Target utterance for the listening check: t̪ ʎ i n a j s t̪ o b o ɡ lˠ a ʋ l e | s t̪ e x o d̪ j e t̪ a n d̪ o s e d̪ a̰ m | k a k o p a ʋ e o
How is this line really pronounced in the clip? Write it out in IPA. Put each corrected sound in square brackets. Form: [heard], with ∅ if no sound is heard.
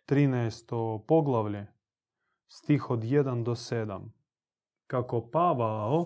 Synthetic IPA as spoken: t̪ [ɾ] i n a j s t̪ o [p] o ɡ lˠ a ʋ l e | s t̪ [i] x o d̪ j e [d̪] a n d̪ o s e d̪ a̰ m | k a k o p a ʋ [a] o